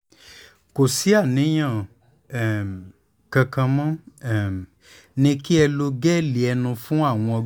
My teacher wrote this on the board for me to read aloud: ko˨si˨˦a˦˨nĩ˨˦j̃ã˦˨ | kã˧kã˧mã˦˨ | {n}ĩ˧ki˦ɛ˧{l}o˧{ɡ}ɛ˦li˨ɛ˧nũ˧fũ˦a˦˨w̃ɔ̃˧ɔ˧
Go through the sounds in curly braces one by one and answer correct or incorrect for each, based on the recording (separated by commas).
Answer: correct, correct, correct